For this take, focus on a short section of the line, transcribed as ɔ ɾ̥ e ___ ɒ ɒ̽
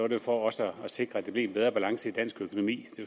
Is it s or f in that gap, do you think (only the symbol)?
f